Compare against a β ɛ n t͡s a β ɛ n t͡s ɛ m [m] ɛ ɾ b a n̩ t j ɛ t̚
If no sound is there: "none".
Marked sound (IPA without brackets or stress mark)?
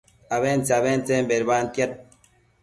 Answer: b